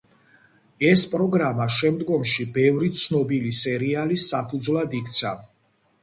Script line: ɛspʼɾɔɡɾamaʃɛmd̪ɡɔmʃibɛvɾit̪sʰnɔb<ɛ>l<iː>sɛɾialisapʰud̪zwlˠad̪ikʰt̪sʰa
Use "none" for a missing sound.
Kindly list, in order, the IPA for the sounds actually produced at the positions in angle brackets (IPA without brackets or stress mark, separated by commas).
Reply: i, i